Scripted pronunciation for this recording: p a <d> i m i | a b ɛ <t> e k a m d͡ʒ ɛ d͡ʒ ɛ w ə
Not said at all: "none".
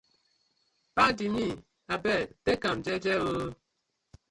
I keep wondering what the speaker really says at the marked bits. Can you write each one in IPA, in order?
d, t

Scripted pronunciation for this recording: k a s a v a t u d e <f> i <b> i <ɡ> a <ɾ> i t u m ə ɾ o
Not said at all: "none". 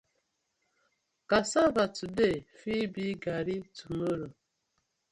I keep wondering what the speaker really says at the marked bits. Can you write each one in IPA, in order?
f, b, ɡ, ɾ

